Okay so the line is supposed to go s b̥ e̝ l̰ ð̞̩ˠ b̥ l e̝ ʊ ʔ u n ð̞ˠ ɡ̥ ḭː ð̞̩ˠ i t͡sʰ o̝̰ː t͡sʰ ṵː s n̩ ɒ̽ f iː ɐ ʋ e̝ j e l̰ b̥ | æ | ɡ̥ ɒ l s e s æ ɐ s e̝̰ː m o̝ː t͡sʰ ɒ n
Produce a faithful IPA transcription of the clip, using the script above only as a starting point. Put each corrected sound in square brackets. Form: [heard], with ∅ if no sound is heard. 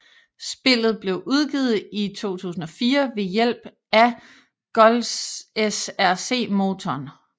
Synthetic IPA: s b̥ e̝ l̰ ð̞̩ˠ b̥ l e̝ ʊ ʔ u [∅] ð̞ˠ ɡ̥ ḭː ð̞̩ˠ i t͡sʰ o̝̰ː t͡sʰ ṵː s n̩ ɒ̽ f iː ɐ ʋ e̝ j e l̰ b̥ | æ | ɡ̥ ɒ l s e s æ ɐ s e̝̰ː m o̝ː t͡sʰ ɒ n